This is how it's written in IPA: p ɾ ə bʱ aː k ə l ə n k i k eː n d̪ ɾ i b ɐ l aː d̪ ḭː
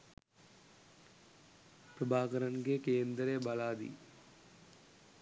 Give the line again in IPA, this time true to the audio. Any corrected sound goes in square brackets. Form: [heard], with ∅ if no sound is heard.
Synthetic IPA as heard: p ɾ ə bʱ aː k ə [ɾ] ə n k [e] k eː n d̪ ɾ [e] b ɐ l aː d̪ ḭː